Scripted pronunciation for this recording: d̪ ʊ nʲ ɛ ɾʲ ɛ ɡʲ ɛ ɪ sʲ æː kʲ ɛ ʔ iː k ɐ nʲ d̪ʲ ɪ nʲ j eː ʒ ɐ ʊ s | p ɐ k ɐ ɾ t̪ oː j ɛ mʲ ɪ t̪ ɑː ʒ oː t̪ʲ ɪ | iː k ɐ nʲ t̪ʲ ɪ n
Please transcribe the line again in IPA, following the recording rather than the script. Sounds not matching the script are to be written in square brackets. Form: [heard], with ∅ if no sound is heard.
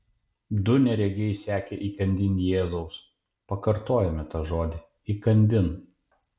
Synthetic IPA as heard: d̪ ʊ nʲ ɛ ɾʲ ɛ ɡʲ ɛ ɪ sʲ æː kʲ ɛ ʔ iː k ɐ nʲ d̪ʲ ɪ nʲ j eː [z] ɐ ʊ s | p ɐ k ɐ ɾ t̪ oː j ɛ mʲ ɪ t̪ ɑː ʒ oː [d̪ʲ] ɪ | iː k ɐ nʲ [d̪ʲ] ɪ n